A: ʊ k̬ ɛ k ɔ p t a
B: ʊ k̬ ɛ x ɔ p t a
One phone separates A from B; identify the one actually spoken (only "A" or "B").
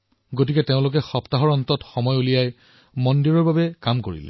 B